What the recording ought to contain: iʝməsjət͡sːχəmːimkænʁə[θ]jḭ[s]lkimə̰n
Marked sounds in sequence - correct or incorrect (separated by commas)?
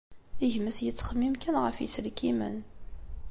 incorrect, correct